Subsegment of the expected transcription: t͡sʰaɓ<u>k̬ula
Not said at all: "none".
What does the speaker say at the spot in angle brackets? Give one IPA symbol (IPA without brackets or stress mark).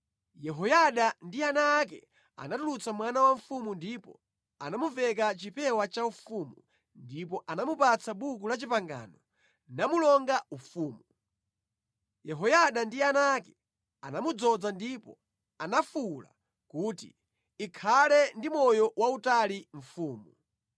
u